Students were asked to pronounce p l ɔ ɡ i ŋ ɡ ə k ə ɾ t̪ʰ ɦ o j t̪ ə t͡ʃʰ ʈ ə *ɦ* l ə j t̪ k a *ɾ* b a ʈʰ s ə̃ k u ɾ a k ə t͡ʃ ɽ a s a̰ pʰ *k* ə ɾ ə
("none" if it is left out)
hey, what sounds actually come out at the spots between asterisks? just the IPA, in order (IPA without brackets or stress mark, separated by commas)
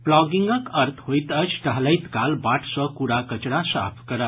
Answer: ɦ, l, k